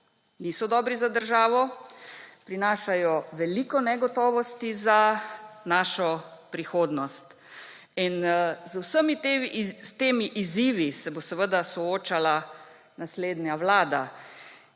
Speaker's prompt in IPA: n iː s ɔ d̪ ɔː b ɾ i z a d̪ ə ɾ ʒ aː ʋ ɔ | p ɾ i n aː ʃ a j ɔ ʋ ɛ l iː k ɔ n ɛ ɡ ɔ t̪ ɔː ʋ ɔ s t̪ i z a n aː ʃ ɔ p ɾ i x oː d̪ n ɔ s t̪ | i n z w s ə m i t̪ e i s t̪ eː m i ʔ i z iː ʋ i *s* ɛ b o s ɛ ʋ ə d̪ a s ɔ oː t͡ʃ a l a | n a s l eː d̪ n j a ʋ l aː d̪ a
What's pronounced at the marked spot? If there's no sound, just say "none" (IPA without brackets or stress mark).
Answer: s